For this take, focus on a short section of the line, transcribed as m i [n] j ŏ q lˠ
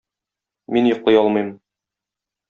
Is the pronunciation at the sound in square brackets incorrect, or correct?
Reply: correct